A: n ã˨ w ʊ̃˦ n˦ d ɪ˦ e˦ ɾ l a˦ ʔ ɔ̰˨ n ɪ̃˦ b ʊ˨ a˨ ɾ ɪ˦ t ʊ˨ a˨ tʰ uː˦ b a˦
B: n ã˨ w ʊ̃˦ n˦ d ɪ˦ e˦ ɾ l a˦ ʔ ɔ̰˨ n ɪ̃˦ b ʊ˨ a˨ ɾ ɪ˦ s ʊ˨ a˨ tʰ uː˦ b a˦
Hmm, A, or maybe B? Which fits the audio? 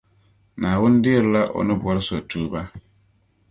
B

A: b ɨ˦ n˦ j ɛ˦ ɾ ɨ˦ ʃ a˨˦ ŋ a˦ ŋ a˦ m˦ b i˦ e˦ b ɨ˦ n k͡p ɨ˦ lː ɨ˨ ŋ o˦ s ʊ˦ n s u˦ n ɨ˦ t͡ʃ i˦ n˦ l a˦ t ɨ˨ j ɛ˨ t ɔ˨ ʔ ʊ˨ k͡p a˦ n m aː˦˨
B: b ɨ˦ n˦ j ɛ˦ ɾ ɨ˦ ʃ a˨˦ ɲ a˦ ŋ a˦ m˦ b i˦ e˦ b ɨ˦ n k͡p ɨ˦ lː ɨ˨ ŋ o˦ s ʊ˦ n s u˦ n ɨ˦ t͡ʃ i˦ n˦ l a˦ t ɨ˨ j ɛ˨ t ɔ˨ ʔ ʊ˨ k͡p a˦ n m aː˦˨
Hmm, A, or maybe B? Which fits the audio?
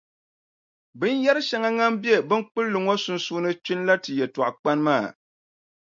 A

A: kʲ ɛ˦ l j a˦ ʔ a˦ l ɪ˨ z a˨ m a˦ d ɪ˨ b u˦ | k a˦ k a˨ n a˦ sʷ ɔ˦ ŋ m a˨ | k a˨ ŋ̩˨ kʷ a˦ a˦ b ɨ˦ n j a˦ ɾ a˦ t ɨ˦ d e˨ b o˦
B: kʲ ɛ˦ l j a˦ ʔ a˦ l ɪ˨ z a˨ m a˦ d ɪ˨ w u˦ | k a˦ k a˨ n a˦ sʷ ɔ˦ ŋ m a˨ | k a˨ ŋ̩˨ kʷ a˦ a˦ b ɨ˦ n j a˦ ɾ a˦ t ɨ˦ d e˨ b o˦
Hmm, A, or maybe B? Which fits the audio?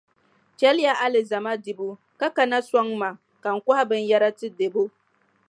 A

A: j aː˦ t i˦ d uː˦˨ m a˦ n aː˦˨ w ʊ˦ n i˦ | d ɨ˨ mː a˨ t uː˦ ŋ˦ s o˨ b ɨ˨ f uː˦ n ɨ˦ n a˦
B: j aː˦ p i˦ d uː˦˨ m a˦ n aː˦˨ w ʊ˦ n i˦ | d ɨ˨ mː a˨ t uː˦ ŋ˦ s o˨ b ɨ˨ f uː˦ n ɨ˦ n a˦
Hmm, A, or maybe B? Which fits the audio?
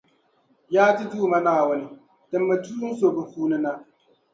A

